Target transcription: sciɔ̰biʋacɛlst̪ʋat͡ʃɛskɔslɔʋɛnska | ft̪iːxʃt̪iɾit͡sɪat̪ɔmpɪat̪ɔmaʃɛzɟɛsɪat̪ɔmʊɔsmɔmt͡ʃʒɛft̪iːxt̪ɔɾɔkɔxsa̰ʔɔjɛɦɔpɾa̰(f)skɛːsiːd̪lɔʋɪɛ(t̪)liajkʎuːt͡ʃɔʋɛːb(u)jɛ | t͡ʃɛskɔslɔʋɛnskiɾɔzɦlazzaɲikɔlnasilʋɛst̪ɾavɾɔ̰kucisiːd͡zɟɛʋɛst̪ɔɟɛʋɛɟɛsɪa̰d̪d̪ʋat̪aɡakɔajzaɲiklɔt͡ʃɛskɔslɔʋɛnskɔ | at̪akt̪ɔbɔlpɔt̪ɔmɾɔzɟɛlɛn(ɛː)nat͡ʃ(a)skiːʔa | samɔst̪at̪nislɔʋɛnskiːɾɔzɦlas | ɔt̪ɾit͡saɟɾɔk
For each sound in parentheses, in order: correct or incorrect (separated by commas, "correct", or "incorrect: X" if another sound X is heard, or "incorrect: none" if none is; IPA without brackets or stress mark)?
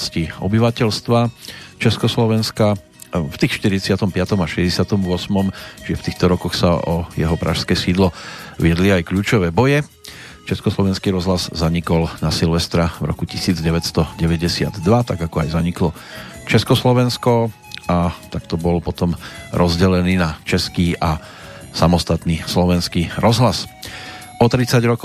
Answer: incorrect: ʃ, incorrect: d̪, incorrect: ɔ, incorrect: iː, incorrect: ɛ